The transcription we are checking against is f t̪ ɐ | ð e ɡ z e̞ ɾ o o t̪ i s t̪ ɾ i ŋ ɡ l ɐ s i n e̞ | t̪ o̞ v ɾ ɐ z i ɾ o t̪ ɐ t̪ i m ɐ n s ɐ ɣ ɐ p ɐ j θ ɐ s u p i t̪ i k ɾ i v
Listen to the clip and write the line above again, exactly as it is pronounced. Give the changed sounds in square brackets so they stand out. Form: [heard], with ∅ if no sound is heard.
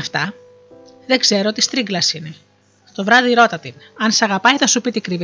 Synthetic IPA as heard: f t̪ ɐ | ð e ɡ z e̞ ɾ o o t̪ i s t̪ ɾ i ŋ ɡ l ɐ s i n e̞ | t̪ o̞ v ɾ ɐ [ð] i ɾ o t̪ ɐ t̪ i [n] ɐ n s ɐ ɣ ɐ p ɐ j θ ɐ s u p i t̪ i k ɾ i v